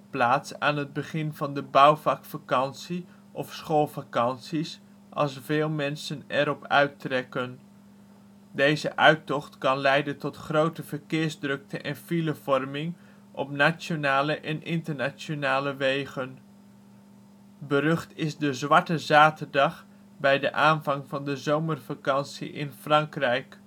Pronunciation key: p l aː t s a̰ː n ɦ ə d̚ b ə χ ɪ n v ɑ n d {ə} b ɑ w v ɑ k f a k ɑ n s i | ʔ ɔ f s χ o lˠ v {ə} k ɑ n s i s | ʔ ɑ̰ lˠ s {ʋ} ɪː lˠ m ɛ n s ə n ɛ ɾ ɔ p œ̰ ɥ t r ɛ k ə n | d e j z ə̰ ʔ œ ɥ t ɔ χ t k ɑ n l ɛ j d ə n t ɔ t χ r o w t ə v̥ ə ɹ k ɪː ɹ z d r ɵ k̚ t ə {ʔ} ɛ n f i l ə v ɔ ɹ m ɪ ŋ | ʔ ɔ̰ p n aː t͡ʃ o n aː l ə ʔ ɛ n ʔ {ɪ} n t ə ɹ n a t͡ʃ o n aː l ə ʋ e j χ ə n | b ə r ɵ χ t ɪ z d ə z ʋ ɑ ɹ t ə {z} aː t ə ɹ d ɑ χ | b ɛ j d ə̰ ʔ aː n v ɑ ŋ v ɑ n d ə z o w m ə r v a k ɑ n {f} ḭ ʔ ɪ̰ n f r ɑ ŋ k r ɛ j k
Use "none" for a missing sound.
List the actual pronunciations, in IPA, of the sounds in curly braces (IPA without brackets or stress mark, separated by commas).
ə, a, v, ʔ, ɪ, z, s